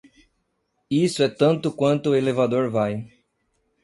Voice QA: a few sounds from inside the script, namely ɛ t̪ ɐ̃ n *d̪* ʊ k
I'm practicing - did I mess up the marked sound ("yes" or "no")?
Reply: yes